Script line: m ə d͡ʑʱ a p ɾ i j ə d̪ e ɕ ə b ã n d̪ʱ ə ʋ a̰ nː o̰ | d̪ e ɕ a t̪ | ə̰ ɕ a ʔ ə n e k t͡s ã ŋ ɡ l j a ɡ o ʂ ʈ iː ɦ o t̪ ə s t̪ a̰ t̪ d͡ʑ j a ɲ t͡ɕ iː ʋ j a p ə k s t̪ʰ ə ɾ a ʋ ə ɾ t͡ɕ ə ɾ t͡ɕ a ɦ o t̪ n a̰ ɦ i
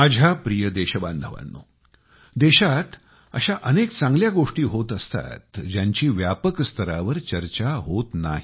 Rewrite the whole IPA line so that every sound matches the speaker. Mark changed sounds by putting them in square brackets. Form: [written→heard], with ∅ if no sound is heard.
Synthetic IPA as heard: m [ə→a] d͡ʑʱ a p ɾ i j ə d̪ e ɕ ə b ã n d̪ʱ ə ʋ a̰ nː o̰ | d̪ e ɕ a t̪ | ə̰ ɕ a ʔ ə n e k t͡s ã ŋ ɡ l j a ɡ o ʂ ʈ iː ɦ o t̪ ə s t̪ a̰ t̪ d͡ʑ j a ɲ t͡ɕ iː ʋ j a p ə k s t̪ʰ ə ɾ a ʋ ə ɾ t͡ɕ ə ɾ t͡ɕ a ɦ o t̪ n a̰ ɦ i